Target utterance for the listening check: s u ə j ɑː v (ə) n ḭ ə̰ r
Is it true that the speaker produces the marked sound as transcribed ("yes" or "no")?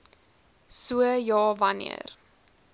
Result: no